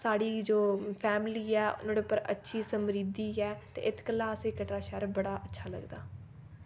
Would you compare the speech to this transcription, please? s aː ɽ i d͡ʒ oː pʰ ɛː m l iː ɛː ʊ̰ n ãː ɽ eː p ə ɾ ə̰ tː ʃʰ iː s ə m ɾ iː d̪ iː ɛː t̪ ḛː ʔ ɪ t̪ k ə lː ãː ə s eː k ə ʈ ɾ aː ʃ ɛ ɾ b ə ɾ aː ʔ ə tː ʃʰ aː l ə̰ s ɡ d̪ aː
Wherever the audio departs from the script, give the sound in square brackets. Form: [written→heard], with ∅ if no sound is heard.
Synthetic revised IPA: s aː ɽ [i→iː] d͡ʒ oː pʰ ɛː m l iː ɛː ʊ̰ n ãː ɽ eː p ə ɾ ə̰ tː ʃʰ iː s ə m ɾ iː d̪ iː ɛː t̪ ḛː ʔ ɪ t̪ k ə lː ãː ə s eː k ə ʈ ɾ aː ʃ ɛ ɾ b ə [ɾ→ɽ] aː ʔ ə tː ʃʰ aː l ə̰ [s→∅] ɡ d̪ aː